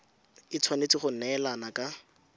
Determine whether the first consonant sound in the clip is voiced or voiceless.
voiceless